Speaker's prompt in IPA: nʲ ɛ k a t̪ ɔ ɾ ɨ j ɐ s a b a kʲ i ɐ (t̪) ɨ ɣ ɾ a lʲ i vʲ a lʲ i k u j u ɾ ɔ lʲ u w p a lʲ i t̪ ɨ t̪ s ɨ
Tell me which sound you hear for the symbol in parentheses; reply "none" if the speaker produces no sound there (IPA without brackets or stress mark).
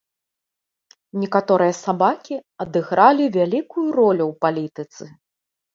d̪